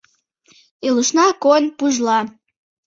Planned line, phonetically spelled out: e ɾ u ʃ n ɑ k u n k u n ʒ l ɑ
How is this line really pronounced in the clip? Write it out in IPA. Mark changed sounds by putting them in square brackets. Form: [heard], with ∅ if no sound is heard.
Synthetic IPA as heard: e [l] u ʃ n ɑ k [o] n [p] u [∅] ʒ l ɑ